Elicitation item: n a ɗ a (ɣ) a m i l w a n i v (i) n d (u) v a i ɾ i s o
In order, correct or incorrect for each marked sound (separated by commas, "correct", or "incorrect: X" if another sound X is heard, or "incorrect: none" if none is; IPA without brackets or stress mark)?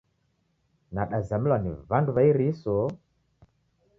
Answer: incorrect: z, incorrect: a, correct